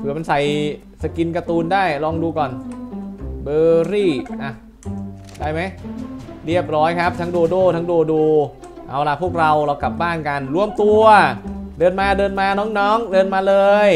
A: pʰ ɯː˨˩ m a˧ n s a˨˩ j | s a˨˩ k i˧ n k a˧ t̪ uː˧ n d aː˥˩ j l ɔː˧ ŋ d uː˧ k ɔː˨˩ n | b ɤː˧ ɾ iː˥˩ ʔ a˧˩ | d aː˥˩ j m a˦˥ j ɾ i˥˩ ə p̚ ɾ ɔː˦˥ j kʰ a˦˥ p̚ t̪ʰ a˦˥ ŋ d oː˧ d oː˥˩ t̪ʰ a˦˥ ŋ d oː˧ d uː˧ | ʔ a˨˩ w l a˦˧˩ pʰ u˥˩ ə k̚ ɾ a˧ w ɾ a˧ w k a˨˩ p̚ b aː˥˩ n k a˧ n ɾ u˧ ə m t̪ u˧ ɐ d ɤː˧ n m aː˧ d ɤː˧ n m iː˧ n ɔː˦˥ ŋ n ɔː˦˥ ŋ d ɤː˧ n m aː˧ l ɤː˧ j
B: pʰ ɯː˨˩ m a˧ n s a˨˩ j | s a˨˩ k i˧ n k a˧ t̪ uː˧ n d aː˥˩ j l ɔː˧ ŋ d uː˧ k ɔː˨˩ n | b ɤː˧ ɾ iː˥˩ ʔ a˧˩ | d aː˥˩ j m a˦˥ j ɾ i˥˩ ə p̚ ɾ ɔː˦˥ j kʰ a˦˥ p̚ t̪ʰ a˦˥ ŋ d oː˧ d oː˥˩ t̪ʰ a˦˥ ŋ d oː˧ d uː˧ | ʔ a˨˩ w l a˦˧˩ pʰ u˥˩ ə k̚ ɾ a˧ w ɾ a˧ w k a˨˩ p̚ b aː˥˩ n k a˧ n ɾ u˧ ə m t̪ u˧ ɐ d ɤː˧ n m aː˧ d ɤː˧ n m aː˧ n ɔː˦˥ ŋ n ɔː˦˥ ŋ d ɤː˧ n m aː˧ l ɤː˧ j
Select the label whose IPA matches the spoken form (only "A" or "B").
B